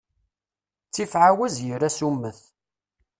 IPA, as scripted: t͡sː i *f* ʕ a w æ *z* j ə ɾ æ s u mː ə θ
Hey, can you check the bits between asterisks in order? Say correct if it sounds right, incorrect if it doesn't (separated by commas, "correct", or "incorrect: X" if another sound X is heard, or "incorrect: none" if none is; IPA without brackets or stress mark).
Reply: correct, correct